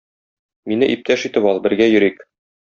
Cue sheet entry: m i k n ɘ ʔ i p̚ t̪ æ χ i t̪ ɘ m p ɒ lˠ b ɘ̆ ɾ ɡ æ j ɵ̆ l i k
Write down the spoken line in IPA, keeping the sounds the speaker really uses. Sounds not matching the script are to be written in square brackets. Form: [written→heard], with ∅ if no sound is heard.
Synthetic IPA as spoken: m i [k→∅] n ɘ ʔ i p̚ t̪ æ [χ→ʃ] i t̪ ɘ [m→∅] p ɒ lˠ b ɘ̆ ɾ ɡ æ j ɵ̆ [l→ɾ] i k